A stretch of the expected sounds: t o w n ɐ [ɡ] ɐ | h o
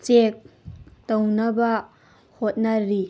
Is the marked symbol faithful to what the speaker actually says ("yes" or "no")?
no